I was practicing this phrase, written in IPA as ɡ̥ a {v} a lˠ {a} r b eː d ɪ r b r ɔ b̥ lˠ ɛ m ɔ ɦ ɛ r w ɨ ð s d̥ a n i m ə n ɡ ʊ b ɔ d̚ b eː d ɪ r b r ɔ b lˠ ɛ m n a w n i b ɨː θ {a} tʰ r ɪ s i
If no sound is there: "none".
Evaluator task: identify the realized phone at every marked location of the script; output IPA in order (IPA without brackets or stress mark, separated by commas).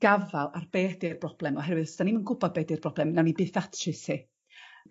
v, a, a